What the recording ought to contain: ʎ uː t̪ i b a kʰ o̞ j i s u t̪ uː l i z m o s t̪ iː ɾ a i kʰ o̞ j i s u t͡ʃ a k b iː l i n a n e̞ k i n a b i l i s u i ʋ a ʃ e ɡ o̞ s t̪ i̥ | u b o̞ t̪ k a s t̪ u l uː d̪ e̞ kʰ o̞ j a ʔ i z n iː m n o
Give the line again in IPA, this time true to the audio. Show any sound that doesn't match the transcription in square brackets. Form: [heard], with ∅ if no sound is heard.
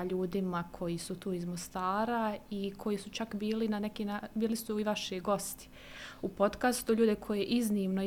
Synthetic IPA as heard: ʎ uː [d̪] i [m] a kʰ o̞ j i s u t̪ uː [∅] i z m o s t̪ [aː] ɾ a i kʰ o̞ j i s u t͡ʃ a k b iː l i n a n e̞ k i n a b [iː] l i s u i ʋ a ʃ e ɡ o̞ s t̪ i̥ | u [p] o̞ t̪ k a s t̪ u [ʎ] uː d̪ e̞ kʰ o̞ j [e] ʔ i z n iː m n o